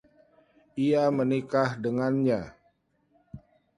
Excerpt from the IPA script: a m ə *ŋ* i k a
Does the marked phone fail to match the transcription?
yes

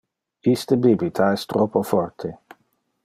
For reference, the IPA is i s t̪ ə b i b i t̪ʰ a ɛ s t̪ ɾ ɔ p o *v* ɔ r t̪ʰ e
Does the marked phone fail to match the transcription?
yes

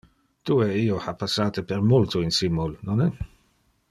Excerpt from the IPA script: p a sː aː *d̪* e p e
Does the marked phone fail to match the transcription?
yes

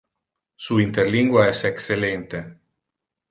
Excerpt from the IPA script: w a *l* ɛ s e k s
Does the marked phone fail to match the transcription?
yes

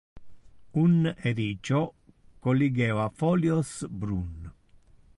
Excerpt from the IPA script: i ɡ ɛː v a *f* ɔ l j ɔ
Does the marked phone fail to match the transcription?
no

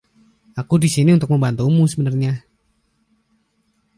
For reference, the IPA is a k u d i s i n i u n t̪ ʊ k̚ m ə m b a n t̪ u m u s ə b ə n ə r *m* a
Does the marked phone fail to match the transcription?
yes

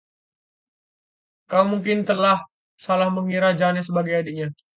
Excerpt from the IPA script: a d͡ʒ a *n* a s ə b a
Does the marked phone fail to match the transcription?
no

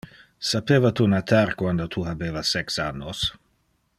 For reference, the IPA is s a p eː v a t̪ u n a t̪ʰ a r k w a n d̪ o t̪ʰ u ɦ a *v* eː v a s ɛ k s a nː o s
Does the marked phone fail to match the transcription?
yes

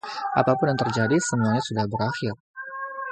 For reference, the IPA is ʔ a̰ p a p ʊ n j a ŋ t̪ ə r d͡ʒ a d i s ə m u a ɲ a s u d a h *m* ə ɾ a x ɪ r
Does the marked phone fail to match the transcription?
yes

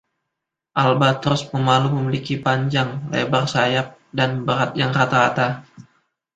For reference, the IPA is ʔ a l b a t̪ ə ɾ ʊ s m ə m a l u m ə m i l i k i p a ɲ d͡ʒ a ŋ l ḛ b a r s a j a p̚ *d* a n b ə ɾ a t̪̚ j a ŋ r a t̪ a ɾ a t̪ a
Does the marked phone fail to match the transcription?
no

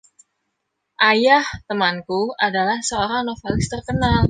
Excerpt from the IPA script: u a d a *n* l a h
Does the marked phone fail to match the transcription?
yes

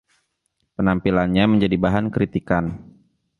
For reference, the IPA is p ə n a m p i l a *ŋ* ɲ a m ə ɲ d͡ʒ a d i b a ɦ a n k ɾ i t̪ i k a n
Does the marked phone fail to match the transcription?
yes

